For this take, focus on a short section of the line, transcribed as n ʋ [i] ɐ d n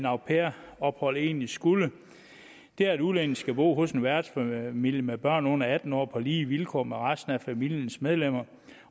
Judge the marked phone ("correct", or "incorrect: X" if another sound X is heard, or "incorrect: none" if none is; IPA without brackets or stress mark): incorrect: æ